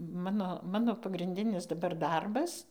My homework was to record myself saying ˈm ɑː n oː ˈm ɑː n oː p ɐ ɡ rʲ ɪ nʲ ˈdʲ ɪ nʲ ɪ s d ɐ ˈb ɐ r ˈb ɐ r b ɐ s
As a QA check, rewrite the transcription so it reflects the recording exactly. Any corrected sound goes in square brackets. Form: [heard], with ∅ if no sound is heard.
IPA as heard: ˈm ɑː n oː ˈm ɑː n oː p ɐ ɡ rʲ ɪ nʲ ˈdʲ ɪ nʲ ɪ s d ɐ ˈb ɐ r [ˈd] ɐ r b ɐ s